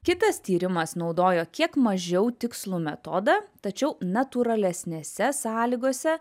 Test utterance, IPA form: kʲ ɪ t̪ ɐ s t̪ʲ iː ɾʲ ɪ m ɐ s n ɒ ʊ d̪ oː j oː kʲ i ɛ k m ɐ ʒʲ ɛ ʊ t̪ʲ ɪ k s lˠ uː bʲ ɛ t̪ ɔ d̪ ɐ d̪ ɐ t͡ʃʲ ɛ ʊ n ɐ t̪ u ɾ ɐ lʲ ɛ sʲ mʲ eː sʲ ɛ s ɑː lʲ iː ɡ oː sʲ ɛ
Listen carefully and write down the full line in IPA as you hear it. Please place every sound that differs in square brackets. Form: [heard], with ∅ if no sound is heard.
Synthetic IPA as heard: kʲ ɪ t̪ ɐ s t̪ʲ iː ɾʲ ɪ m ɐ s n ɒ ʊ d̪ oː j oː kʲ i ɛ k m ɐ ʒʲ ɛ ʊ t̪ʲ ɪ k s lˠ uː [mʲ] ɛ t̪ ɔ d̪ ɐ [t̪] ɐ t͡ʃʲ ɛ ʊ n ɐ t̪ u ɾ ɐ lʲ ɛ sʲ [nʲ] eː sʲ ɛ s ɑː lʲ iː ɡ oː sʲ ɛ